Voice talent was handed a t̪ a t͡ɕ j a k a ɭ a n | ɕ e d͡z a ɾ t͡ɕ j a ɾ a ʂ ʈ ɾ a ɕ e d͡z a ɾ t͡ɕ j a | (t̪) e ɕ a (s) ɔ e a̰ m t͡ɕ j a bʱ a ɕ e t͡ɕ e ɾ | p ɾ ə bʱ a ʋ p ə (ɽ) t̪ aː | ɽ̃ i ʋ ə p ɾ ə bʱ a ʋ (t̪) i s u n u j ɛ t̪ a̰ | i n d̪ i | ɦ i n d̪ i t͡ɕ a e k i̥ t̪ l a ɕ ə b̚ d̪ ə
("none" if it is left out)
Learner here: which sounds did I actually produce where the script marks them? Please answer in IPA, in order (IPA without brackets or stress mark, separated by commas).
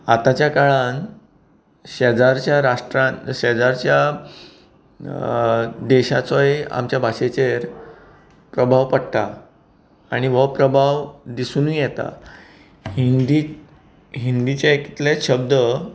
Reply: d̪, t͡s, ɽ, d̪